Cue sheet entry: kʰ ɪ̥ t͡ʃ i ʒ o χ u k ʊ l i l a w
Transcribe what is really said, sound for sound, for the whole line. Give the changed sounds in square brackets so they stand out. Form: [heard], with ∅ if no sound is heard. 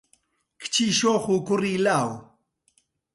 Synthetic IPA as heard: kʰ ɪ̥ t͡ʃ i [ʃ] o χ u k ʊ [ɾ] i l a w